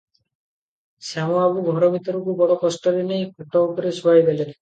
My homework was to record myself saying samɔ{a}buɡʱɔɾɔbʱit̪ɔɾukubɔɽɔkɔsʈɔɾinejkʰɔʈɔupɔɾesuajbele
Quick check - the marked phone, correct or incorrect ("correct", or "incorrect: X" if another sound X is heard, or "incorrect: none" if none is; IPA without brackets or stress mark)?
correct